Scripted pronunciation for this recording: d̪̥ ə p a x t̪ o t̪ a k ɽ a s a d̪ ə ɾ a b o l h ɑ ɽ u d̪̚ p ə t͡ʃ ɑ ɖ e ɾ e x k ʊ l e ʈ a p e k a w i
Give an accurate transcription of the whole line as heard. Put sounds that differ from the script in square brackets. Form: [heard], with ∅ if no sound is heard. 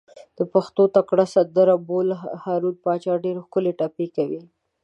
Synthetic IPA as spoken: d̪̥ ə p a x t̪ o t̪ a k ɽ a s a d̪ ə ɾ a b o l h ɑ [ɾ] u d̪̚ p [ɑ] t͡ʃ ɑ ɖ e ɾ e x k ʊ l e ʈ a p e k a w i